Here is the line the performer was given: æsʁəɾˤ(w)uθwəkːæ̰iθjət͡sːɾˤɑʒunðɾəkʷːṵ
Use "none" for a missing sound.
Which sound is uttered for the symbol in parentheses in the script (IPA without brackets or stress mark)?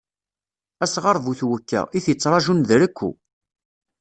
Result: v